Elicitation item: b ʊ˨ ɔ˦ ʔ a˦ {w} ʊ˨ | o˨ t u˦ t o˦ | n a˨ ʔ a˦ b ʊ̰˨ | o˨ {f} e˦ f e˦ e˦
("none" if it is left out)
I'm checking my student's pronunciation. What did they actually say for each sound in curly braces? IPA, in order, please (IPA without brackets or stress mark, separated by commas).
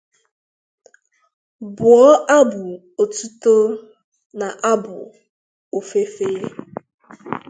b, f